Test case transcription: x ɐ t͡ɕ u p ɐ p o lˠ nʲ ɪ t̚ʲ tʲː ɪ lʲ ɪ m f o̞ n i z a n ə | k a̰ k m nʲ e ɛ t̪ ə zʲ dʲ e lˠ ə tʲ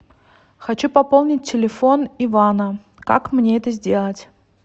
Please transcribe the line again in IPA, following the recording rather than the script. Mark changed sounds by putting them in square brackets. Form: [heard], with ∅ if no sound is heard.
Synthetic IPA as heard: x ɐ t͡ɕ u p ɐ p o lˠ nʲ ɪ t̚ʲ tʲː ɪ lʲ ɪ [∅] f o̞ n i [v] a n ə | k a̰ k m nʲ e ɛ t̪ ə zʲ dʲ e lˠ ə tʲ